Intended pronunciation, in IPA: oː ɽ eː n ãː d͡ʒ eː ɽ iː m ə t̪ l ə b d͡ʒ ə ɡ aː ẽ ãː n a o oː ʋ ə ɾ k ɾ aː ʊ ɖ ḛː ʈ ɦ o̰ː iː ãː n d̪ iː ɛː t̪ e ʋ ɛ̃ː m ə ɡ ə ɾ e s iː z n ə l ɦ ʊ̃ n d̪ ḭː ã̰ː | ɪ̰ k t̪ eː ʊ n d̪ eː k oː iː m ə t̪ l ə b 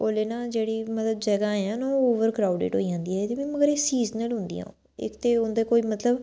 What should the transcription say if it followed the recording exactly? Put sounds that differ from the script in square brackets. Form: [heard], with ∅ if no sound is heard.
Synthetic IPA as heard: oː [l] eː n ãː d͡ʒ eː ɽ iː m ə t̪ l ə b d͡ʒ ə ɡ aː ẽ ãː n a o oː ʋ ə ɾ k ɾ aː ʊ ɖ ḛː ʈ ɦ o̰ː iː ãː n d̪ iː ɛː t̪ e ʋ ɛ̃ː m ə ɡ ə ɾ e s iː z n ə l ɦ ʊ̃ n d̪ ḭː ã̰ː | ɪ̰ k t̪ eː ʊ n d̪ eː k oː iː m ə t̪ l ə b